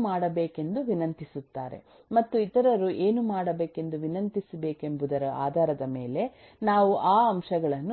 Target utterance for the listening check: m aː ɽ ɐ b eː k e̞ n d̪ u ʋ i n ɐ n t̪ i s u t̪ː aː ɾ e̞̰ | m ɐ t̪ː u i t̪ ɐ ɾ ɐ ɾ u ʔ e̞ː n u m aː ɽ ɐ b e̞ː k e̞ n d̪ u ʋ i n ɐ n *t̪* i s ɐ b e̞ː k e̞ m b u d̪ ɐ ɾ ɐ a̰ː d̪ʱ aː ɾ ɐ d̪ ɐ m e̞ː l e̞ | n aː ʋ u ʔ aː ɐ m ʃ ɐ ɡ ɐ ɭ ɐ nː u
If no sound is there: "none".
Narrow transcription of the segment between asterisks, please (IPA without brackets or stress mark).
t̪